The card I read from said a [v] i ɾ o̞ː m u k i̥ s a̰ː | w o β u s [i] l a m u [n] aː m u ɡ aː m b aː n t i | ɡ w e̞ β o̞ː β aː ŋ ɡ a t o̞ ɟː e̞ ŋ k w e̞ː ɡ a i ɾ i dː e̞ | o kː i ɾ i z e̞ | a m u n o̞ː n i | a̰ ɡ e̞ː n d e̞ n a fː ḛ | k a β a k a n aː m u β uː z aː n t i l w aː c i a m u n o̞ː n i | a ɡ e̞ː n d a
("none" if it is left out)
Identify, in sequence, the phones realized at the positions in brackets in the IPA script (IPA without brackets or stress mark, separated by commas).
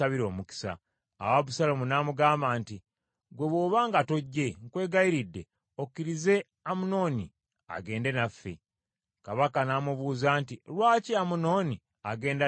β, a, n